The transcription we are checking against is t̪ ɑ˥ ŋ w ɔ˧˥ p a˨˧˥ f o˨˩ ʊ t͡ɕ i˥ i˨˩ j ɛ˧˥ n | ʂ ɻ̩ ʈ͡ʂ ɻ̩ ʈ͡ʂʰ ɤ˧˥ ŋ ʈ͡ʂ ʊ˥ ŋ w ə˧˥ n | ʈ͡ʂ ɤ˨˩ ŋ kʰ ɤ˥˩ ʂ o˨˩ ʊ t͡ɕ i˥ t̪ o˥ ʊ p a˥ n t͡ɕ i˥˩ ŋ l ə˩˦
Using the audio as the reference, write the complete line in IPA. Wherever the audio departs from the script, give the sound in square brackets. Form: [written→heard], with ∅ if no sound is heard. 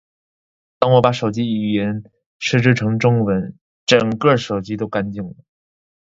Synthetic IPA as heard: t̪ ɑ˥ ŋ w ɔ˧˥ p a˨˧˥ [f→ʂ] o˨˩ ʊ t͡ɕ i˥ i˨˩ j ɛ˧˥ n | ʂ ɻ̩ ʈ͡ʂ ɻ̩ ʈ͡ʂʰ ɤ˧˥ ŋ ʈ͡ʂ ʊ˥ ŋ w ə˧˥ n | ʈ͡ʂ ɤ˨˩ ŋ [kʰ→k] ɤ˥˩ ʂ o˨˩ ʊ t͡ɕ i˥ t̪ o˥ ʊ [p→k] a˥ n t͡ɕ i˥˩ ŋ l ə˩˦